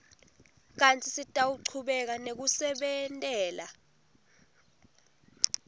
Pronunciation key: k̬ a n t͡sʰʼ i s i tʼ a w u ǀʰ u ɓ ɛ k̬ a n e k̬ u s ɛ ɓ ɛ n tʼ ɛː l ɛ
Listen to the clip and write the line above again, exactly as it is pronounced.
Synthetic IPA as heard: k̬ a n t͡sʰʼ i s i tʼ a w u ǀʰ u ɓ ɛ k̬ a n e k̬ u s ɛ ɓ ɛ n tʼ ɛː l a